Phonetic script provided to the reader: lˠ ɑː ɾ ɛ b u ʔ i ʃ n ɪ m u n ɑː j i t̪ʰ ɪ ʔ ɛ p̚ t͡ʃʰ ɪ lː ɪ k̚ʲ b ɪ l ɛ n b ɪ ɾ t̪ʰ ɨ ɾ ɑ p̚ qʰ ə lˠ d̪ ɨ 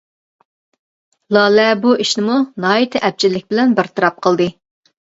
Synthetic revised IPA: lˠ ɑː l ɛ b u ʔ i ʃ n ɪ m u n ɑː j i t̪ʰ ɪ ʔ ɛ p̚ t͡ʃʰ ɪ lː ɪ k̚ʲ b ɪ l ɛ n b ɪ ɾ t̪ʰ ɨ ɾ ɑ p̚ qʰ ə lˠ d̪ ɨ